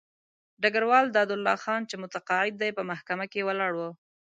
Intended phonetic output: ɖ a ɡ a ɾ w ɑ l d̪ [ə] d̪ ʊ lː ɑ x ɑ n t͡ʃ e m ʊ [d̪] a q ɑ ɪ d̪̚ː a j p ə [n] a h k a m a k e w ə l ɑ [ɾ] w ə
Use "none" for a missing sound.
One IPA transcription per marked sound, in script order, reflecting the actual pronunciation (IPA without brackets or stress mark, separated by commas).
ɑ, t̪, m, ɽ